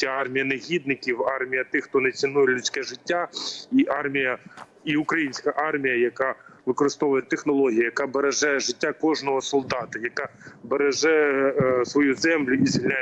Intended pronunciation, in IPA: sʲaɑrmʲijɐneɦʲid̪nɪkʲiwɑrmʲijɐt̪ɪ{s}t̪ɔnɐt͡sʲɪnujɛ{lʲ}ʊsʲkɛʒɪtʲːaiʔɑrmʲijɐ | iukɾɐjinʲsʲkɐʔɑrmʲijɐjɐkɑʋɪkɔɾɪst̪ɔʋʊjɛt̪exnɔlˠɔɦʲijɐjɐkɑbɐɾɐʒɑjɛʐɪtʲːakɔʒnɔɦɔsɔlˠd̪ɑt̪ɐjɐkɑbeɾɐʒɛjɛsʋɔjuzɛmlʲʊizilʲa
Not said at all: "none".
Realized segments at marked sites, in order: x, lʲ

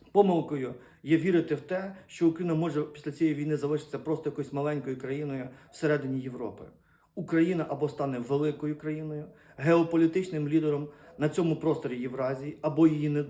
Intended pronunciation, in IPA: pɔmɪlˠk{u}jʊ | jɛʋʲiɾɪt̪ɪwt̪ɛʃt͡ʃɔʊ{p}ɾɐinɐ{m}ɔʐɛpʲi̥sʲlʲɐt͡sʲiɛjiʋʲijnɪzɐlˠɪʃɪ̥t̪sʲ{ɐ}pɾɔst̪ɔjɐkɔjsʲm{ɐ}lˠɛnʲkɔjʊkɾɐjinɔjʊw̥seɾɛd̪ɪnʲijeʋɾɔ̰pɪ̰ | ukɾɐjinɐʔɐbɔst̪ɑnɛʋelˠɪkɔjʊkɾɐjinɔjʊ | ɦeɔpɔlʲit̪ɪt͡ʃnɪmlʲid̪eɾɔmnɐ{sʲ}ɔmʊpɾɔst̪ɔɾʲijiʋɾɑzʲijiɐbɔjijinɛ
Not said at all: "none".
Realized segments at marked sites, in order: ɔ, k, m, ɐ, ɐ, t͡sʲ

